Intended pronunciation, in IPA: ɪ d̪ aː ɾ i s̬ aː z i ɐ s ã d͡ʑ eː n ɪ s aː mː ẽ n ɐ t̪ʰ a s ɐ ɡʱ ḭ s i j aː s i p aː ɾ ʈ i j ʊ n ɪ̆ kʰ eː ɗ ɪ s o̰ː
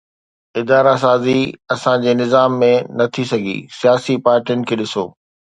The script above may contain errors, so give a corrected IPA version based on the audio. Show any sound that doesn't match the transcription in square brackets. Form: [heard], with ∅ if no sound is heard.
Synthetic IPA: ɪ d̪ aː ɾ [a] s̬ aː z i ɐ s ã d͡ʑ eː n ɪ [z] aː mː ẽ n ɐ t̪ʰ [i] s ɐ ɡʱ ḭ s i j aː s i p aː ɾ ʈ i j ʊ n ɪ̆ kʰ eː ɗ ɪ s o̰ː